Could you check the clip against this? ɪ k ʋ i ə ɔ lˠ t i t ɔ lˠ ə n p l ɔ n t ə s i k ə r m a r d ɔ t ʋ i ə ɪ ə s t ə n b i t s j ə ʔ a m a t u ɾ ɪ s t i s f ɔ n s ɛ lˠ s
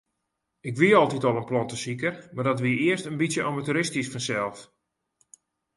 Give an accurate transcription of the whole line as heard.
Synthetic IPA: ɪ k ʋ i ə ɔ lˠ t i t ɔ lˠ ə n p l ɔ n t ə s i k ə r m a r d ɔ t ʋ i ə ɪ ə s t ə n b i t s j ə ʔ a m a t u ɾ ɪ s t i s f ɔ n s ɛ lˠ f